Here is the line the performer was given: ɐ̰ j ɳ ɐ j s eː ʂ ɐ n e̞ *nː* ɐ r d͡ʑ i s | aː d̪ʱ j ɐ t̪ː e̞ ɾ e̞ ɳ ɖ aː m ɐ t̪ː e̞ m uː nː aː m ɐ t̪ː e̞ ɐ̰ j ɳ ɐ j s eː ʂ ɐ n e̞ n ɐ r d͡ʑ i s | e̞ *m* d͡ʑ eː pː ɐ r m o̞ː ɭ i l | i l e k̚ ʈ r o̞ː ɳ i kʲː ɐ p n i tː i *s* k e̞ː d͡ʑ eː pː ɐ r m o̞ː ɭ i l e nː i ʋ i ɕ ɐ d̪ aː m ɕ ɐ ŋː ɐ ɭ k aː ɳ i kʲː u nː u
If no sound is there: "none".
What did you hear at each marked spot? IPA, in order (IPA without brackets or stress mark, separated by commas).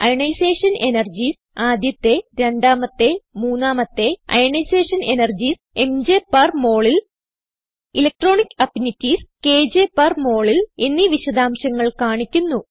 n, m, s